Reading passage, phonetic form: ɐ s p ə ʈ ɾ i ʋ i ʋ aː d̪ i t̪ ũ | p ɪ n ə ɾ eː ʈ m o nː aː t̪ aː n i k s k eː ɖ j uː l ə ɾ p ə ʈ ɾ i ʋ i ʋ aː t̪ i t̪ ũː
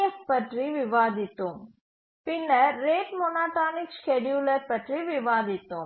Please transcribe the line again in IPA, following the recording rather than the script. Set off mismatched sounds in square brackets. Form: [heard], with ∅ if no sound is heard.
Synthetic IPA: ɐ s p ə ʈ ɾ i ʋ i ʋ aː d̪ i t̪ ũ | p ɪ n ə ɾ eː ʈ m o [n] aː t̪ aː n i k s k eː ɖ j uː l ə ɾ p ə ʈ ɾ i ʋ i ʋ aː [d̪] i t̪ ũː